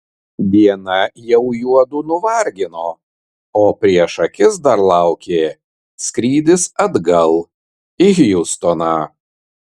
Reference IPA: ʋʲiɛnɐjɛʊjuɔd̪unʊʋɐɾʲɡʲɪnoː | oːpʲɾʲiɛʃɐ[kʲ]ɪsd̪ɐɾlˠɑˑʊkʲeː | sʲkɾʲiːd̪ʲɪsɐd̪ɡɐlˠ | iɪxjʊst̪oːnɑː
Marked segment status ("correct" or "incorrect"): correct